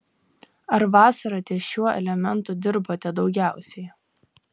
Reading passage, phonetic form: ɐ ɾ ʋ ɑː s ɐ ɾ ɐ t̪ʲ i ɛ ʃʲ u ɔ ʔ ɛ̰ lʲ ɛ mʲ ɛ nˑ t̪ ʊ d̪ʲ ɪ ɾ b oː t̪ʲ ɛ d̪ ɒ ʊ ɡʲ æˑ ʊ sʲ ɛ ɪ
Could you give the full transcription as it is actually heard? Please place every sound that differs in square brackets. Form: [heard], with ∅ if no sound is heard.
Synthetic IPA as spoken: ɐ ɾ ʋ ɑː s ɐ ɾ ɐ t̪ʲ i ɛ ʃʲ u ɔ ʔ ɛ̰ lʲ ɛ mʲ ɛ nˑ t̪ ʊ d̪ʲ ɪ ɾ b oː t̪ʲ ɛ d̪ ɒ ʊ ɡʲ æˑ ʊ sʲ ɛ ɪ